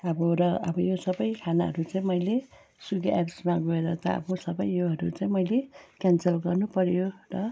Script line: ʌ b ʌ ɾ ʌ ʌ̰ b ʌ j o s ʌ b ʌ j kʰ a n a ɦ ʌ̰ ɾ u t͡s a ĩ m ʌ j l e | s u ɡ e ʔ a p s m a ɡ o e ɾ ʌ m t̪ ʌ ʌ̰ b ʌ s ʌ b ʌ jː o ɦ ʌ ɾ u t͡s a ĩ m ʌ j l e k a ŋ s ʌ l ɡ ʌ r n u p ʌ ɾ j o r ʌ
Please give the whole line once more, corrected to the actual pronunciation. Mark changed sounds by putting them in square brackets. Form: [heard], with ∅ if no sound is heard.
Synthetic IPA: ʌ b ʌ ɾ ʌ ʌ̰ b ʌ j o s ʌ b ʌ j kʰ a n a ɦ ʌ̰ ɾ u t͡s a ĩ m ʌ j l e | s u ɡ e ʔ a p s m a ɡ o e ɾ ʌ [∅] t̪ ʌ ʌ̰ b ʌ s ʌ b ʌ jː o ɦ ʌ ɾ u t͡s a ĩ m ʌ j l e k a [n] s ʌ l ɡ ʌ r n u p ʌ ɾ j o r ʌ